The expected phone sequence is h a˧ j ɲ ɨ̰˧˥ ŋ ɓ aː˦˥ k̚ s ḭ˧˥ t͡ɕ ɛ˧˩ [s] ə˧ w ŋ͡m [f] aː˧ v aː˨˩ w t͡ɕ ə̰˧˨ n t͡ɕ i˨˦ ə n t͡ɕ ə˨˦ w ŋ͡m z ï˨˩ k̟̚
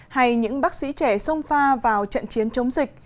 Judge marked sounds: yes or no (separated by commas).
yes, yes